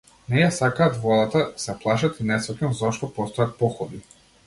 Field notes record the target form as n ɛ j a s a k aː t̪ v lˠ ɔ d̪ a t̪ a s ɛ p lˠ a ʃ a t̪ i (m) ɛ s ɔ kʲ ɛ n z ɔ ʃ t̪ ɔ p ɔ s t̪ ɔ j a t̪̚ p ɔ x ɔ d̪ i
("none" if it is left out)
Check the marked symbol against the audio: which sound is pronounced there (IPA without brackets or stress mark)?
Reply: n